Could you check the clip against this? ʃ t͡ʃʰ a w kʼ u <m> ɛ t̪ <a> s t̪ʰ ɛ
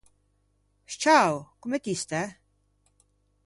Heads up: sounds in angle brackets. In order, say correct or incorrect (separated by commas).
correct, incorrect